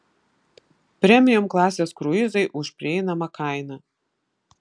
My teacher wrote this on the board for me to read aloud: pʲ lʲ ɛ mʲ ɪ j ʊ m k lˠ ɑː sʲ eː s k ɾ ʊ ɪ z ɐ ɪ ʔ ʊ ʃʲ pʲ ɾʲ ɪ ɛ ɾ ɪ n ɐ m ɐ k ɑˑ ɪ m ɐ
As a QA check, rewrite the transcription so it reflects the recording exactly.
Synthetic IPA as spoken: pʲ ɾʲ ɛ mʲ ɪ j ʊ m k lˠ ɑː sʲ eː s k ɾ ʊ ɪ z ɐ ɪ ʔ ʊ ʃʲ pʲ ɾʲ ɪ ɛ ɪ n ɐ m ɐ k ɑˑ ɪ n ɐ